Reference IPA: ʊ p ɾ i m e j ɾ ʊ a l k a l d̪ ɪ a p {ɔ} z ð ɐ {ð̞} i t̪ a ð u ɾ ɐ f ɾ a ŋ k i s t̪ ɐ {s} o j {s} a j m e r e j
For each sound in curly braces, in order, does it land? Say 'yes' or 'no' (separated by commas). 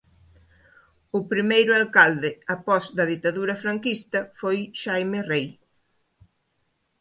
yes, yes, no, no